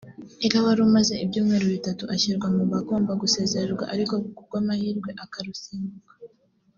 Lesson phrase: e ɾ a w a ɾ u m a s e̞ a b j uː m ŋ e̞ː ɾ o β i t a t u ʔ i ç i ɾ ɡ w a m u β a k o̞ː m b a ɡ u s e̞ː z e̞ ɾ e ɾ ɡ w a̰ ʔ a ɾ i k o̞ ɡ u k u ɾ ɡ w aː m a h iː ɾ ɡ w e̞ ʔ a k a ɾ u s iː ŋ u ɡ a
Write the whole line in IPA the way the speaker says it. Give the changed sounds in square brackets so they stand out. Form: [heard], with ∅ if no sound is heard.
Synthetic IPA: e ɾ a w a ɾ u m a [z] e̞ [i] b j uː m ŋ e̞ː ɾ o β i t a t u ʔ [a] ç i ɾ ɡ w a m u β a k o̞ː m b a ɡ u s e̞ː z e̞ ɾ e ɾ ɡ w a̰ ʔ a ɾ i k o̞ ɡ u k u ɾ ɡ w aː m a h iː ɾ ɡ w e̞ ʔ a k a ɾ u s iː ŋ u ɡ a